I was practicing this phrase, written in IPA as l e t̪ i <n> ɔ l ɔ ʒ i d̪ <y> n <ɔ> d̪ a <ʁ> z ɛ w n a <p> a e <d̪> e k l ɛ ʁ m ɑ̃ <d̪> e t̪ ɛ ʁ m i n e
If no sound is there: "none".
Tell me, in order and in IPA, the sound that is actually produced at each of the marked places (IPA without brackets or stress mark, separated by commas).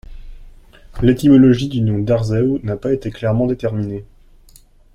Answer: m, y, ɔ̃, ʁ, p, t̪, d̪